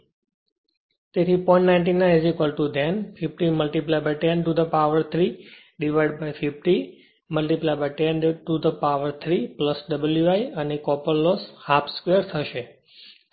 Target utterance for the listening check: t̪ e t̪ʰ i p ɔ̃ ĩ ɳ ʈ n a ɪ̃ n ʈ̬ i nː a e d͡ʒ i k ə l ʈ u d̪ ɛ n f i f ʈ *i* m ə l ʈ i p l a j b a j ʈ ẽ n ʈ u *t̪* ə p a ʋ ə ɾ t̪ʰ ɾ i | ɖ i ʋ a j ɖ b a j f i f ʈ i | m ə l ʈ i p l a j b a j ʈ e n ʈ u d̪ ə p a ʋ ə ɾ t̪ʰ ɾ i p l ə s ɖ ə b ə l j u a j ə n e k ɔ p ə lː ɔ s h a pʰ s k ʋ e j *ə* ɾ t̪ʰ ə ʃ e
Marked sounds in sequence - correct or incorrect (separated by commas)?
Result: correct, incorrect, correct